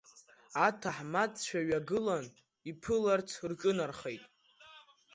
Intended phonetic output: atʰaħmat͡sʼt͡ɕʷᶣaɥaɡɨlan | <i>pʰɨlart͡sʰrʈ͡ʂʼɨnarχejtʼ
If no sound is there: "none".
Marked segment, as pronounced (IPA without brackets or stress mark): i